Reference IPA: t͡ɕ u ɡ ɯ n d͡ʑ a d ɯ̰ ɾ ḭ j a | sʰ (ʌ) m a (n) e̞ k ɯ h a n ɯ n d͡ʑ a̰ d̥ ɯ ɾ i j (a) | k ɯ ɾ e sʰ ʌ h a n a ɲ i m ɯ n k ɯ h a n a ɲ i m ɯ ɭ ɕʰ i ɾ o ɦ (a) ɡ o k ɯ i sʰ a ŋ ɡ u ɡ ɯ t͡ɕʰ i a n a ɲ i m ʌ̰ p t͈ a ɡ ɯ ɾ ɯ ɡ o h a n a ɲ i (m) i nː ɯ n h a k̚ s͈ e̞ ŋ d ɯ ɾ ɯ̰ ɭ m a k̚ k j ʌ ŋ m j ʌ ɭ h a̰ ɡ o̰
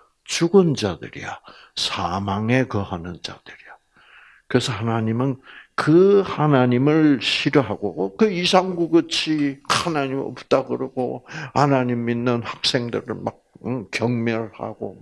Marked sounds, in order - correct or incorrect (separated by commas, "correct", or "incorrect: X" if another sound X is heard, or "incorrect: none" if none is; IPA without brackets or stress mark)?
incorrect: a, incorrect: ŋ, correct, correct, correct